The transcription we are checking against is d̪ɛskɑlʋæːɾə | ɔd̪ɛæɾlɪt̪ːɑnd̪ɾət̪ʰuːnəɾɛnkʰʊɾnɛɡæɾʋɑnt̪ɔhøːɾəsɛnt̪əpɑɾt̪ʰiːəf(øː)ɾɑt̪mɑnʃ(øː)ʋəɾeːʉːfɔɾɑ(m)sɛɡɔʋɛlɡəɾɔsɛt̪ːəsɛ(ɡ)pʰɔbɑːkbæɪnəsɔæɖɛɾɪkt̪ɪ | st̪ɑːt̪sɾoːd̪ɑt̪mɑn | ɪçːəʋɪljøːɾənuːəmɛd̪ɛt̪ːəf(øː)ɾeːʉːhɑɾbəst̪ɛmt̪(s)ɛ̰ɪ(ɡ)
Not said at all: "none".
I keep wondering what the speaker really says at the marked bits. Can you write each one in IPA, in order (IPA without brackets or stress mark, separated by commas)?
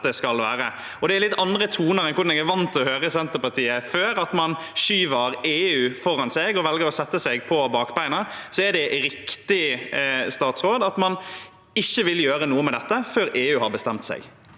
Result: øː, yː, n, ɡ, øː, s, ɡ